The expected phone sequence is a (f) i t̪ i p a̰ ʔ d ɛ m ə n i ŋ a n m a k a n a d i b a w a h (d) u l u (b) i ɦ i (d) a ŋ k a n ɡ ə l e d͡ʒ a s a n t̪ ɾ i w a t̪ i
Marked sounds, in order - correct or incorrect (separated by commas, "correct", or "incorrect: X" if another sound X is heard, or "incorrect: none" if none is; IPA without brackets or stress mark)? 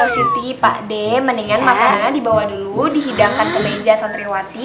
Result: incorrect: s, correct, incorrect: d, correct